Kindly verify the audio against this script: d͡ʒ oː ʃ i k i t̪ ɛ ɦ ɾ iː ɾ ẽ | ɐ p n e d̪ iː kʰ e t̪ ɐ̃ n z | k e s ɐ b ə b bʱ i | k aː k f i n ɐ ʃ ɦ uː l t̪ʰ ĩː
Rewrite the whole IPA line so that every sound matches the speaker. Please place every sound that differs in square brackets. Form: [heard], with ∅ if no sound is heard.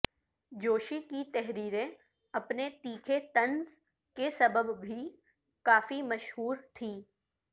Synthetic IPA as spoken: d͡ʒ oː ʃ i k i t̪ ɛ ɦ ɾ iː ɾ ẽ | ɐ p n e [t̪] iː kʰ e t̪ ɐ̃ n z | k e s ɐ b ə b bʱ i | k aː [∅] f i [m] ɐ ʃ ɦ uː [ɾ] t̪ʰ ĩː